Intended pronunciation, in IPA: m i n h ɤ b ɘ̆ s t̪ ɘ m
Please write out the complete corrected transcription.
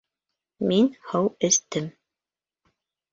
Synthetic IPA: m i n h ɤ w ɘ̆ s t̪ ɘ m